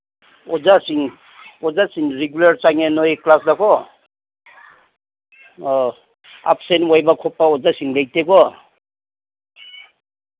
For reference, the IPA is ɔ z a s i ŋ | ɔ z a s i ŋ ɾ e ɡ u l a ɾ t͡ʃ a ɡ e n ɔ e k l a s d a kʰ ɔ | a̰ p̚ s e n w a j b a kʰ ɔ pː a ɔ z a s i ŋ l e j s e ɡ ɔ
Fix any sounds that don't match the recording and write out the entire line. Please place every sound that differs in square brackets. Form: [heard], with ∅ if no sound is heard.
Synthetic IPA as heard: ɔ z a s i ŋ | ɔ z a s i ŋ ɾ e ɡ u l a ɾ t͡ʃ a [ŋ] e n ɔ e k l a s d a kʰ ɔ | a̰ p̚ s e n w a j b a kʰ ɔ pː a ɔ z a s i ŋ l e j [t] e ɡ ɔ